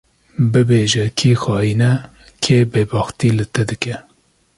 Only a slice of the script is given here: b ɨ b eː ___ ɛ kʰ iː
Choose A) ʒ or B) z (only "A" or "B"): A